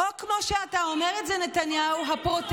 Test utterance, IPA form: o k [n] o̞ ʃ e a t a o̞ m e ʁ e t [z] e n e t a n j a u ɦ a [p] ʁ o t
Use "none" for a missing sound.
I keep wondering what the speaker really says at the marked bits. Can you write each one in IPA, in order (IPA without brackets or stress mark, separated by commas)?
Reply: m, z, p